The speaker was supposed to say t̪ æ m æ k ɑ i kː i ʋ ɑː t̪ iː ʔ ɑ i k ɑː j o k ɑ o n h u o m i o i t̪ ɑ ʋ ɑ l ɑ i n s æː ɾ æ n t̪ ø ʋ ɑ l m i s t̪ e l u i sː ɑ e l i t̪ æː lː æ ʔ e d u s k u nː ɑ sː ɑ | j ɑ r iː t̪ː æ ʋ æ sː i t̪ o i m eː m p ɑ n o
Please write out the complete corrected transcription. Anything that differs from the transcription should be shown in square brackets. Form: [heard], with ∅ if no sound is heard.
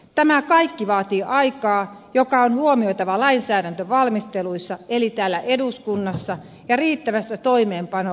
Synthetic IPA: t̪ æ m æ k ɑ i kː i ʋ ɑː t̪ iː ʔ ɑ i k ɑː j o k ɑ o n h u o m i o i t̪ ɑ ʋ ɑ l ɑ i n s æː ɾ æ n t̪ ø ʋ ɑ l m i s t̪ e l u i sː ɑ e l i t̪ æː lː æ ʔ e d u s k u nː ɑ sː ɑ | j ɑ r iː t̪ː æ ʋ æ sː [æ] t̪ o i m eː m p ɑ n o